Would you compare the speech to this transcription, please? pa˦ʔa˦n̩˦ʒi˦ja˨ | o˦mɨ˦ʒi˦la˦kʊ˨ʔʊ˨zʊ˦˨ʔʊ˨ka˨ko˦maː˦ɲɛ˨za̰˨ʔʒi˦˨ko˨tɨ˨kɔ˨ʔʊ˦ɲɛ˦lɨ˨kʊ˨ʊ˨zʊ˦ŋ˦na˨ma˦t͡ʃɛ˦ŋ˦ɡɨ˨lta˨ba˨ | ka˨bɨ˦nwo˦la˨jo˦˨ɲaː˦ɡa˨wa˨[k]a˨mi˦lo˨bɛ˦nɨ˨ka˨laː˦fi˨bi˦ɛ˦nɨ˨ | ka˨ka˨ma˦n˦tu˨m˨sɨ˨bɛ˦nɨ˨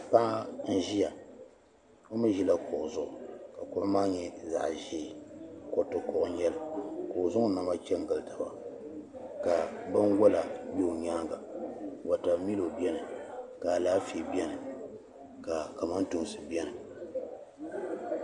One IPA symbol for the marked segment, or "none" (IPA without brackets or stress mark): t